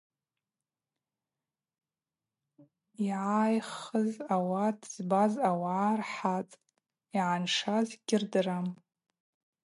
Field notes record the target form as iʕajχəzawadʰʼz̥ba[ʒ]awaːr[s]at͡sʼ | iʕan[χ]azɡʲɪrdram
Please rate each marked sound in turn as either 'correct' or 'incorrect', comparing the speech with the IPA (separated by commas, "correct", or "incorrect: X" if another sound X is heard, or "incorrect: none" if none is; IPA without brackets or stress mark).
incorrect: z, incorrect: ħ, incorrect: ʂ